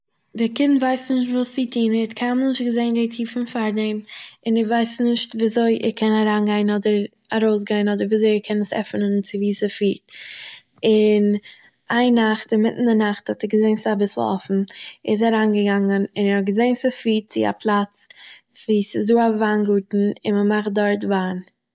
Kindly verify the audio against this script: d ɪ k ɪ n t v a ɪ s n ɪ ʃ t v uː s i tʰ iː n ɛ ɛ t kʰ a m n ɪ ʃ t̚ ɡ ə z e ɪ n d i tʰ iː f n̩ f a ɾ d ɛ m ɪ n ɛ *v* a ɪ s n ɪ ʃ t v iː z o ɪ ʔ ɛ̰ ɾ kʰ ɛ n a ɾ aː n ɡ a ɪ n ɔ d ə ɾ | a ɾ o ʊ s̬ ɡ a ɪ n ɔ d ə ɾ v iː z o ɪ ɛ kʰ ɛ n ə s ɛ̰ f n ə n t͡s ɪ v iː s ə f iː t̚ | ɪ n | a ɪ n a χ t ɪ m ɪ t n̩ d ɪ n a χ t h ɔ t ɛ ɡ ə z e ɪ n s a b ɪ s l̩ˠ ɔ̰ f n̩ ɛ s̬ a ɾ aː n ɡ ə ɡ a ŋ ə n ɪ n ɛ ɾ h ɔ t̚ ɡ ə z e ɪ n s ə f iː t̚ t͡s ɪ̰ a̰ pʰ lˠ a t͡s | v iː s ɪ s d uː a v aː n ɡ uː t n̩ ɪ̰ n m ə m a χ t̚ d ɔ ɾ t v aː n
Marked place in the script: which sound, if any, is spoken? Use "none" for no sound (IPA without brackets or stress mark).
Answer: v